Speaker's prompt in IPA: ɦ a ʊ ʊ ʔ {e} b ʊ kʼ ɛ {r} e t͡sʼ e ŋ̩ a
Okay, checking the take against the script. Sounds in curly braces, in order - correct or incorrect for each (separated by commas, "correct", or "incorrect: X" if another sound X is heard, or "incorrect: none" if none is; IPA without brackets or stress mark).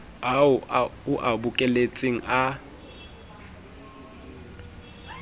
incorrect: a, incorrect: l